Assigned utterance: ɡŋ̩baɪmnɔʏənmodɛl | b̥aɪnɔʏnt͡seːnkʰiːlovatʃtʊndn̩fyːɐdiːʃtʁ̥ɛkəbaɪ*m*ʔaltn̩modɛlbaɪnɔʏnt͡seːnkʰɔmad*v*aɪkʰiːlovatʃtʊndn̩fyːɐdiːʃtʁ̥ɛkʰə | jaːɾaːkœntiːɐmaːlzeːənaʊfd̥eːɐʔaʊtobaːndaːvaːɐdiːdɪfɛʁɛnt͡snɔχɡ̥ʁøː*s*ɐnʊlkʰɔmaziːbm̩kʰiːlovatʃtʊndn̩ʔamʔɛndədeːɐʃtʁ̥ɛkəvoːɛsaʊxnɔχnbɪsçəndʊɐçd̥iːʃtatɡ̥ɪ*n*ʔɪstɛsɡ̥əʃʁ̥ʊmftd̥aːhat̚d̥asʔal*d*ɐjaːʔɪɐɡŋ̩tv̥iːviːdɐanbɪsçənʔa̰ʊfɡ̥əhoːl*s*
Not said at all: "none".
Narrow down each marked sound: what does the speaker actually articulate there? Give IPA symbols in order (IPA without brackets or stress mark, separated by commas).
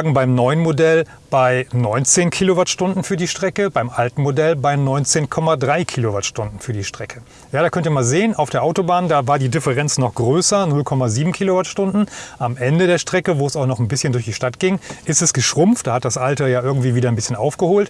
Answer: m, ʁ, s, ŋ, t, t